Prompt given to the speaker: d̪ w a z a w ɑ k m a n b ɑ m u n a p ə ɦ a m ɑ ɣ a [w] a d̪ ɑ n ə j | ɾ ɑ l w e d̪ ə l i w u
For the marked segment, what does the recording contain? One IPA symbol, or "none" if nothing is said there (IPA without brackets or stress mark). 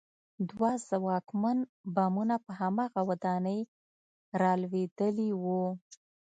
w